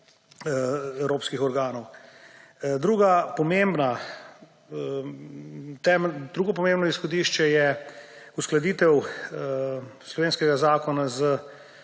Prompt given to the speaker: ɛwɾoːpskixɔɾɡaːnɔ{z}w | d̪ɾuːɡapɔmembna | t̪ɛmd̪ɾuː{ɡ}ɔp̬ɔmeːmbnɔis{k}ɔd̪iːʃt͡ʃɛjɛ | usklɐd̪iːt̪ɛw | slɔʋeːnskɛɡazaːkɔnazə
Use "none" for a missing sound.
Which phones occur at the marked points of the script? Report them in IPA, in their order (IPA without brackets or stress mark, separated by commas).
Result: none, ɡ, x